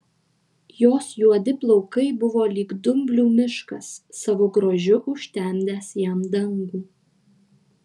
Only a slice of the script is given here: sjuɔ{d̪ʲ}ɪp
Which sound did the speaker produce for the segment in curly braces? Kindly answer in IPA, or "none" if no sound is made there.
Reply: d̪ʲ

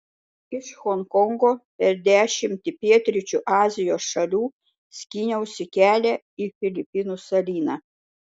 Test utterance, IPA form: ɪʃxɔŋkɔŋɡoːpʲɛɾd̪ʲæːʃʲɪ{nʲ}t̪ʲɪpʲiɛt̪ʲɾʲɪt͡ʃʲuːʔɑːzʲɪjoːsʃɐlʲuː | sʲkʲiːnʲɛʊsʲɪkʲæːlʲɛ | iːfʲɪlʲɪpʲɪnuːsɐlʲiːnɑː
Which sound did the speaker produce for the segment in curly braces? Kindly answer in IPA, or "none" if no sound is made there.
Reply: mʲ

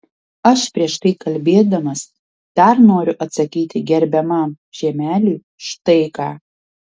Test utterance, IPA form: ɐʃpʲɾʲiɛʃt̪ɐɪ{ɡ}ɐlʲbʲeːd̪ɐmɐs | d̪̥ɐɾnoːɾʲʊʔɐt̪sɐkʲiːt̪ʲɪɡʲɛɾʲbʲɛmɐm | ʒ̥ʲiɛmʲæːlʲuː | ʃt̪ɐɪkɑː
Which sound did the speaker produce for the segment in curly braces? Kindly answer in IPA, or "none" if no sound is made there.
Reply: k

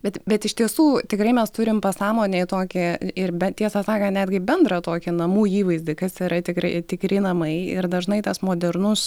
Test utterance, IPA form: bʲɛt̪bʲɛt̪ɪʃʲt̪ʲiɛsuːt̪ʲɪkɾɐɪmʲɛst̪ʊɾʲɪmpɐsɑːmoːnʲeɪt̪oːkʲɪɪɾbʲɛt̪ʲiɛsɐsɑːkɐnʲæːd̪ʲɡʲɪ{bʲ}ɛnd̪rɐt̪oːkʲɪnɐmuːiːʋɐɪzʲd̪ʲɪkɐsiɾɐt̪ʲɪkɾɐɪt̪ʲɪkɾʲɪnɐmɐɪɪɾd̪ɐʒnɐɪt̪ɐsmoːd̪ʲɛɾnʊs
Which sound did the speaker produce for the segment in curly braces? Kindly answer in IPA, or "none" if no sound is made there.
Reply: bʲ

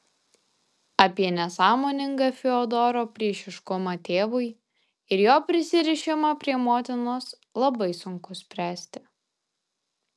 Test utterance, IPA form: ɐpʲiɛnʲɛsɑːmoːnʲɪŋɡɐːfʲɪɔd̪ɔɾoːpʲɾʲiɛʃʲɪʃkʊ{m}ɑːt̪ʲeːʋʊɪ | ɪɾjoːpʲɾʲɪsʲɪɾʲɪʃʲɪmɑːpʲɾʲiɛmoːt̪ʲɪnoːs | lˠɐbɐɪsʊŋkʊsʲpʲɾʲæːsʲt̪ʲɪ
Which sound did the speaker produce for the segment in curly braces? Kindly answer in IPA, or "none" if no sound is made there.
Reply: m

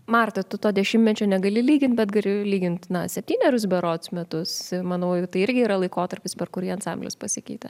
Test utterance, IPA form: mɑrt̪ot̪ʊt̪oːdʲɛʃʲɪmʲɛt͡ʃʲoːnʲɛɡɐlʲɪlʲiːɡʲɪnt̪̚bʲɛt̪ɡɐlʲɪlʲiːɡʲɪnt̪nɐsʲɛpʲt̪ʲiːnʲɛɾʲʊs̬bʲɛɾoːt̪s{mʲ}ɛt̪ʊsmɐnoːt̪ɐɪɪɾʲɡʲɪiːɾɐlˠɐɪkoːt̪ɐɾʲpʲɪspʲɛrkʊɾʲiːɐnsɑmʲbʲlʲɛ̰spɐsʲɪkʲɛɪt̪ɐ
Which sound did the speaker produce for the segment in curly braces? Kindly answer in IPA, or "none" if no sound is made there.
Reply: mʲ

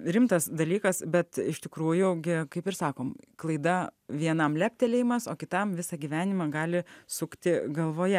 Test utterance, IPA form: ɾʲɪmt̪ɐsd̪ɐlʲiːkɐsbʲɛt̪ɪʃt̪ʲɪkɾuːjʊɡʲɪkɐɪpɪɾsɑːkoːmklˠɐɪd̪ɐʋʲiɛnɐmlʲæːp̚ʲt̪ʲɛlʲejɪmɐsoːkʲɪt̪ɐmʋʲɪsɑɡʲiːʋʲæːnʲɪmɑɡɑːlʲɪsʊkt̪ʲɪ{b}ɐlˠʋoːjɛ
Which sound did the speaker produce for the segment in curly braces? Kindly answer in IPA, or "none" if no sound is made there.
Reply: ɡ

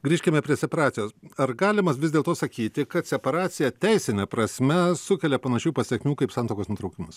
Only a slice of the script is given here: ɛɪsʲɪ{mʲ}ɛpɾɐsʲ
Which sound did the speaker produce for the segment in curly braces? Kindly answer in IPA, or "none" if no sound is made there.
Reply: nʲ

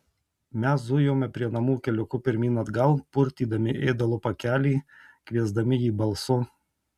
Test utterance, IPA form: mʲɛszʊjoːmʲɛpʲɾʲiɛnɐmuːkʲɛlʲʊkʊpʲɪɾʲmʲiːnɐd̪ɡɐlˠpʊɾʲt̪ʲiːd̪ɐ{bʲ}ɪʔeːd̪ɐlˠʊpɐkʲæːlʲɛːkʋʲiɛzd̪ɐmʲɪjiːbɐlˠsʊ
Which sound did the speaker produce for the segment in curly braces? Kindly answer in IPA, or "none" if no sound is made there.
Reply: mʲ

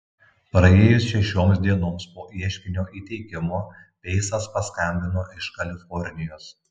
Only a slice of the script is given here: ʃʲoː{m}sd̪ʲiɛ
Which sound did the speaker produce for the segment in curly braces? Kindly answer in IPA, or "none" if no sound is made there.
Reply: m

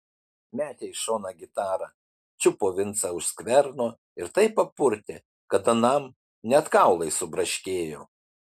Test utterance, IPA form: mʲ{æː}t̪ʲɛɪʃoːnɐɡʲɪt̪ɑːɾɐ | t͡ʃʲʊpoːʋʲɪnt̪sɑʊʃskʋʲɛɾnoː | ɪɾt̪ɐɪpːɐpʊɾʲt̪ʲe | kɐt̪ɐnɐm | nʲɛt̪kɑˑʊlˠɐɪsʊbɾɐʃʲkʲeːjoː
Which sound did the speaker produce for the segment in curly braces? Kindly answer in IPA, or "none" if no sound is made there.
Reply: æː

